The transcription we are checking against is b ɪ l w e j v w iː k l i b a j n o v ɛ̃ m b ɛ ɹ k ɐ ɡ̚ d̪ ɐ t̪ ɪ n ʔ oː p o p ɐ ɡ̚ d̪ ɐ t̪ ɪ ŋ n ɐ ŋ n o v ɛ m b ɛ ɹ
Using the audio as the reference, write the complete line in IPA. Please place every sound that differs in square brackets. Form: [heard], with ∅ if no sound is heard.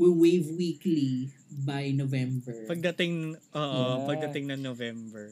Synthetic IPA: [w] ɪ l w e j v w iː k l i b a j n o v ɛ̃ m b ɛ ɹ [p] ɐ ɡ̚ d̪ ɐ t̪ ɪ [ŋ] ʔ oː [ʔ] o p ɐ ɡ̚ d̪ ɐ t̪ ɪ ŋ n ɐ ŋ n o v ɛ m b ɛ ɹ